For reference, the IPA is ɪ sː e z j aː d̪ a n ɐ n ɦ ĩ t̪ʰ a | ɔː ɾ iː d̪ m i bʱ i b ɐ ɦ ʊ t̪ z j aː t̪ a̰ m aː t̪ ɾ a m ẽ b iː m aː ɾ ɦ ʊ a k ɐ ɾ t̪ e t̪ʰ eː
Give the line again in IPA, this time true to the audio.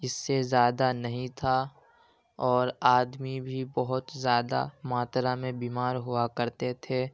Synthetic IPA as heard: ɪ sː e z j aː d̪ a n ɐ ɦ ĩ t̪ʰ a | ɔː ɾ aː d̪ m i bʱ i b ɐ ɦ ʊ t̪ z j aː d̪ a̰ m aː t̪ ɾ a m ẽ b iː m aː ɾ ɦ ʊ a k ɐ ɾ t̪ e t̪ʰ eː